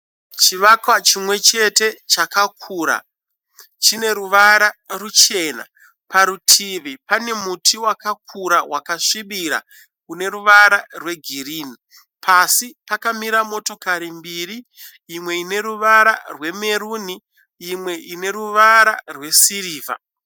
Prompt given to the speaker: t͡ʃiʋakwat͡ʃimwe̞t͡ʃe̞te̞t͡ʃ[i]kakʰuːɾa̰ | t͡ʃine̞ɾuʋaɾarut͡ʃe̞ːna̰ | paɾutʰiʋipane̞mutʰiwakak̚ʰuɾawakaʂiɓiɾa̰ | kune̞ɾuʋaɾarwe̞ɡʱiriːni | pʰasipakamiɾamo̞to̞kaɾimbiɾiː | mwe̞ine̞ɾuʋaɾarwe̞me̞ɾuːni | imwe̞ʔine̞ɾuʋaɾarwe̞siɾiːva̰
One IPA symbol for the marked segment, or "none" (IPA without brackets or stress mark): a